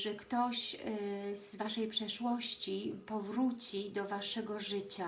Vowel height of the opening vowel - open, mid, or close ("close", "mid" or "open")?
mid